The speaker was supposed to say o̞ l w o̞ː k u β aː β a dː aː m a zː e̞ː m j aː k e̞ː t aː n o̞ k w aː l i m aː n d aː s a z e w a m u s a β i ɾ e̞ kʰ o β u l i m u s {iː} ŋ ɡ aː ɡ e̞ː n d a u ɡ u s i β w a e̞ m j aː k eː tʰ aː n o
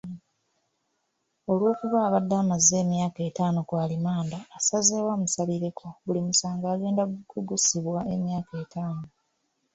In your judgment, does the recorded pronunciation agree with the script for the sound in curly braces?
no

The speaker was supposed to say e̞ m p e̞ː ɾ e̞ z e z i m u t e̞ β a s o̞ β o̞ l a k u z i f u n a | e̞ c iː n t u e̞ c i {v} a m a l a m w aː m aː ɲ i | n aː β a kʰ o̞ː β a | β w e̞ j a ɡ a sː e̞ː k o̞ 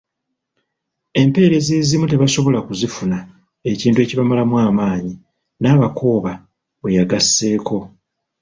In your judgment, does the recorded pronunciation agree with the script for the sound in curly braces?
no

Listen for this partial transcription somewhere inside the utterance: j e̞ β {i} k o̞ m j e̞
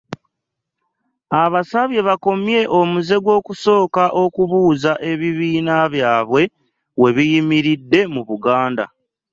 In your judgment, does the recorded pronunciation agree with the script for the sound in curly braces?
no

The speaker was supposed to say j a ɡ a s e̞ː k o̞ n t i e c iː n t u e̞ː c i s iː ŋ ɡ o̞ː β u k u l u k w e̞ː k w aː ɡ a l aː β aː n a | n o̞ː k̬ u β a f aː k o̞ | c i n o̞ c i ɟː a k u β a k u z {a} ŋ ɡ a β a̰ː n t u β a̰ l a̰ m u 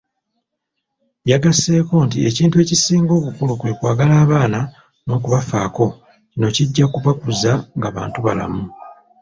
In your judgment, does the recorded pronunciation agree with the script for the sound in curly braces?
yes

